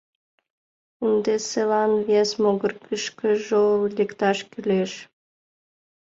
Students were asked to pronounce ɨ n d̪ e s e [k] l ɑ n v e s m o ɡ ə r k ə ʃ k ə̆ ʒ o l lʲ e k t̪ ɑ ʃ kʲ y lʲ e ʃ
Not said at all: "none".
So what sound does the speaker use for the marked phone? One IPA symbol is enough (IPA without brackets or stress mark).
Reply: none